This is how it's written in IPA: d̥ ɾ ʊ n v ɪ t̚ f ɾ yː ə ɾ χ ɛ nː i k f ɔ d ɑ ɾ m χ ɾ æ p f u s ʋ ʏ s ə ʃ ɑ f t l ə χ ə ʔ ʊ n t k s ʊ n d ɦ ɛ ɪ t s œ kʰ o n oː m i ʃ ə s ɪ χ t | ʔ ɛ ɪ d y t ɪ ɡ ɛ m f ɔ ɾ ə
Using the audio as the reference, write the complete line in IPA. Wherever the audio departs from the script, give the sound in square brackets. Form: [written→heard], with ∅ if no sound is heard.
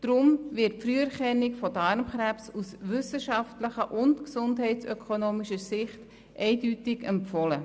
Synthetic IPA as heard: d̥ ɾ ʊ [n→m] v ɪ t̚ f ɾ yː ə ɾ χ ɛ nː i k f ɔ d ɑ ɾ m χ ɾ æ p [f→s] u s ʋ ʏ s ə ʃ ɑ f t l ə χ ə ʔ ʊ n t k s ʊ n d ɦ ɛ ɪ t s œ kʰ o n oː m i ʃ ə s ɪ χ t | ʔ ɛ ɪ d y t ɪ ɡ ɛ m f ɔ [ɾ→l] ə